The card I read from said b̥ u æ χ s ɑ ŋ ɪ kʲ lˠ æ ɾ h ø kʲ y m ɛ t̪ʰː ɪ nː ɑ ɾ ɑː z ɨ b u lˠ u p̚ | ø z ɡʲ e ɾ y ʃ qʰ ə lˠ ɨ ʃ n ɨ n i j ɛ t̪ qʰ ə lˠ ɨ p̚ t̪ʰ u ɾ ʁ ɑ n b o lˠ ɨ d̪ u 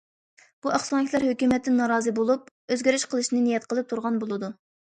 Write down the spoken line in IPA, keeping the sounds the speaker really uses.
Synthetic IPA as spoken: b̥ u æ χ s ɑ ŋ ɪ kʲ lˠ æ ɾ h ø kʲ y m ɛ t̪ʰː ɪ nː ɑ ɾ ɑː z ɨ b o lˠ u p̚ | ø z ɡʲ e ɾ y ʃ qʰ ə lˠ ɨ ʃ n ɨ n i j ɛ t̪ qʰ ə lˠ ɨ p̚ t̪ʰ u ɾ ʁ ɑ n b o lˠ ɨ d̪ u

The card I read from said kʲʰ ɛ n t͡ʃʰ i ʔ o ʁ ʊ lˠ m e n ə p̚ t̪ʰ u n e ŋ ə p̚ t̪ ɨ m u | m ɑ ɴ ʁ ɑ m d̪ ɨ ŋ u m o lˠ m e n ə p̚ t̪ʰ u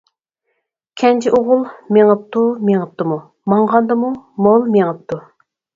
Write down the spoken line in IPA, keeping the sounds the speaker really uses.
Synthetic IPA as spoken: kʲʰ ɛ n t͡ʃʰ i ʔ o ʁ ʊ lˠ m e ŋ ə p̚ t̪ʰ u m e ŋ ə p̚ t̪ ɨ m u | m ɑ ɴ ʁ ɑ n d̪ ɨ m u m o lˠ m e ŋ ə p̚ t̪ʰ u

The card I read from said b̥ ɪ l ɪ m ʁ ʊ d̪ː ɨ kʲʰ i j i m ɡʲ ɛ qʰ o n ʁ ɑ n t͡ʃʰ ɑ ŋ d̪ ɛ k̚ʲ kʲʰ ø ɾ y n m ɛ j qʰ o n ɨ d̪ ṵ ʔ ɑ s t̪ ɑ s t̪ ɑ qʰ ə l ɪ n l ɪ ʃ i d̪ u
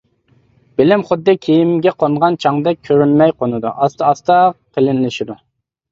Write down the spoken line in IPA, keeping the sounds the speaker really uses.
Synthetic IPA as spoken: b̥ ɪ l ɪ m χ ʊ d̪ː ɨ kʲʰ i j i m ɡʲ ɛ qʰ o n ʁ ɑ n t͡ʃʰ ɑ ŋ d̪ ɛ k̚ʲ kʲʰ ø ɾ y n m ɛ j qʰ o n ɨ d̪ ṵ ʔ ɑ s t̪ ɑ s t̪ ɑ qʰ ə l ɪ n l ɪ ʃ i d̪ u

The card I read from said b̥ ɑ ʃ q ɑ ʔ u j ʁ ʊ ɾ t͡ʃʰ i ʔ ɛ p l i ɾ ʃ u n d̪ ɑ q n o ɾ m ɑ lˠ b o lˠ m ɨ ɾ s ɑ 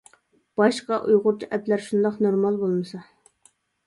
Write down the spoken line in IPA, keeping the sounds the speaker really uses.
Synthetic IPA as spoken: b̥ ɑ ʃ q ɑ ʔ u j ʁ ʊ ɾ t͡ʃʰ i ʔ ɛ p l æ ɾ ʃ u n d̪ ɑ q n o ɾ m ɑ lˠ b o lˠ m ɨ s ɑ

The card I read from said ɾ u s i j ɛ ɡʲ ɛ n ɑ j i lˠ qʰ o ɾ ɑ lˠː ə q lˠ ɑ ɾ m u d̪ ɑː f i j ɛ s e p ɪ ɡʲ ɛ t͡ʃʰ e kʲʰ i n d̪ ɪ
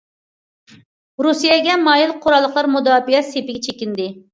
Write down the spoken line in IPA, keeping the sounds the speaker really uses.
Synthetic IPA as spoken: ɾ u s i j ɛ ɡʲ ɛ m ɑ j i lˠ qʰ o ɾ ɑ lˠː ə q lˠ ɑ ɾ m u d̪ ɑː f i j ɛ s e p ɪ ɡʲ ɛ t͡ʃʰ e kʲ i n d̪ ɪ

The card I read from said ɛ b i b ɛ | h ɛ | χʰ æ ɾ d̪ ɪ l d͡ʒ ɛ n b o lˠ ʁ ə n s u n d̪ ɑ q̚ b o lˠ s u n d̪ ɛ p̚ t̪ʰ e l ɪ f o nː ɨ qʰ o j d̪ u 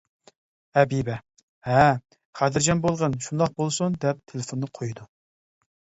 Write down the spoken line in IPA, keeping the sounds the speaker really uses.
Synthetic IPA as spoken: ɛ b i b ɛ | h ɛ | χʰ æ d̪ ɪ ɾ d͡ʒ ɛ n b o lˠ ʁ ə n ʃ u n d̪ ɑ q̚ b o lˠ s u n d̪ ɛ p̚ t̪ʰ e l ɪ f o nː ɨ qʰ o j d̪ u

